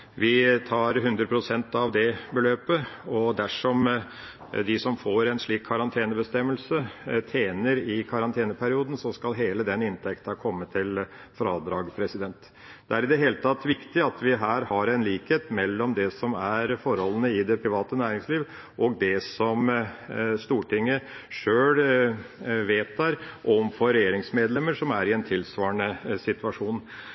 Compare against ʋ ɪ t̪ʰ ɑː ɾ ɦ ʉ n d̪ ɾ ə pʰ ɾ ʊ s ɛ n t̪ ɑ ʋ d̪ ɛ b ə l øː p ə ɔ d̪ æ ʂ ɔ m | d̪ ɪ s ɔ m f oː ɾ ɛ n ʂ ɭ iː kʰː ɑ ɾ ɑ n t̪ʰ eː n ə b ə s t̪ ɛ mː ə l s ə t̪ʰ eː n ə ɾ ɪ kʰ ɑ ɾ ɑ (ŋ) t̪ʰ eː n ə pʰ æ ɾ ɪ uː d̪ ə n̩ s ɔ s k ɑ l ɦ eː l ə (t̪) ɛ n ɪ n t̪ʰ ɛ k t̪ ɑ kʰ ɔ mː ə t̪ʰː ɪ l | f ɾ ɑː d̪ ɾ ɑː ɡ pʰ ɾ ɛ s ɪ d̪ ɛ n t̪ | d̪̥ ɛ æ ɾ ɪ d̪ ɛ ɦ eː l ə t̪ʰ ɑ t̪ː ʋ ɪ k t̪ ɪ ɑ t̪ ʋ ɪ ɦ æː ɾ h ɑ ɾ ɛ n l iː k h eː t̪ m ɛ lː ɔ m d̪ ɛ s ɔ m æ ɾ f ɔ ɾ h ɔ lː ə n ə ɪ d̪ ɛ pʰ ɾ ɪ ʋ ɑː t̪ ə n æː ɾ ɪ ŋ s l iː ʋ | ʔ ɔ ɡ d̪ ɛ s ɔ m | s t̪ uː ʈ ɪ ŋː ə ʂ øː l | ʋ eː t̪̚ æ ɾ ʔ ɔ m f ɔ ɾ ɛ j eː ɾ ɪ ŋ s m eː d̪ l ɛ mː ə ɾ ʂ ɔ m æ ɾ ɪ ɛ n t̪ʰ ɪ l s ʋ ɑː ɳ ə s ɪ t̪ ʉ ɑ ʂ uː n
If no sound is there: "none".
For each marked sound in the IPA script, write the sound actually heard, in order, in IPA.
n, d̪

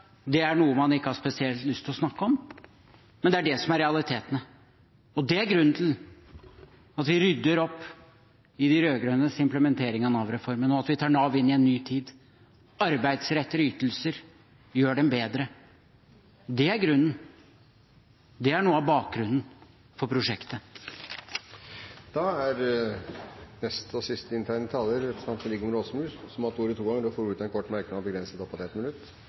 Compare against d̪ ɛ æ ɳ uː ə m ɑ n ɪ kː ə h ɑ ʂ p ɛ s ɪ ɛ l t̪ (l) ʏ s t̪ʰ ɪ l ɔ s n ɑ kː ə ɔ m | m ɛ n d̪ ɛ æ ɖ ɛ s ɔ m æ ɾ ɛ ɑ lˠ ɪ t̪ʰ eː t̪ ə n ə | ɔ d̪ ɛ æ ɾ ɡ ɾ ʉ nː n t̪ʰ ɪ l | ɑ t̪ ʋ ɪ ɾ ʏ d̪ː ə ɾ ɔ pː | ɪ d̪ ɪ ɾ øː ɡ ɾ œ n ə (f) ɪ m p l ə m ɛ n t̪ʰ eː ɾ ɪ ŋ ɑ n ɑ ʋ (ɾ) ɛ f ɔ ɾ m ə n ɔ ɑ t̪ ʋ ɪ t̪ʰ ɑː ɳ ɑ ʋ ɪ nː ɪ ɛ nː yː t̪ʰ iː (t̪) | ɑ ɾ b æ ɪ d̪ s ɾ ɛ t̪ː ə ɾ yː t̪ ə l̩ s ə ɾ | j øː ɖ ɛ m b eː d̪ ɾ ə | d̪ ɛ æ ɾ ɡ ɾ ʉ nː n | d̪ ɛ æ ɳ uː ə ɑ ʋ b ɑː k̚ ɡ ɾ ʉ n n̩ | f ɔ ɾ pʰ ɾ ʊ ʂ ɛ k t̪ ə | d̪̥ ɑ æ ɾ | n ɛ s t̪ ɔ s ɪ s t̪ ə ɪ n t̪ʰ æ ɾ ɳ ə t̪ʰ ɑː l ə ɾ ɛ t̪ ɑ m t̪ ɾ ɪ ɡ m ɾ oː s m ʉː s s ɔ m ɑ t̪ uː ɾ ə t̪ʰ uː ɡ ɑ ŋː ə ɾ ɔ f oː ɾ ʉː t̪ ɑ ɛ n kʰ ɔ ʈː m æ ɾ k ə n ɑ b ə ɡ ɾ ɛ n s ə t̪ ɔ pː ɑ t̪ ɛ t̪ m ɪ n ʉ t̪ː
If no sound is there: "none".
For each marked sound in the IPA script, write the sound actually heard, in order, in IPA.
l, s, ɾ, d̪

